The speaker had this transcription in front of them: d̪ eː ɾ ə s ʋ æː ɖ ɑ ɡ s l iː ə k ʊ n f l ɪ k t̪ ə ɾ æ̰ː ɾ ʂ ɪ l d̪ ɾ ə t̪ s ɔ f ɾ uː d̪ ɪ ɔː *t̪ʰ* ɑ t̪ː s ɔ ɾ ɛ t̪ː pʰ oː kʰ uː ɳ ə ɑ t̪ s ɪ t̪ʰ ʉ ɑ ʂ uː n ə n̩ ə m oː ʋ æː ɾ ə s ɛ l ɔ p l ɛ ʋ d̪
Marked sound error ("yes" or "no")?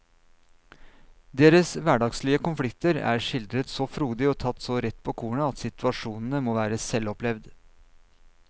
no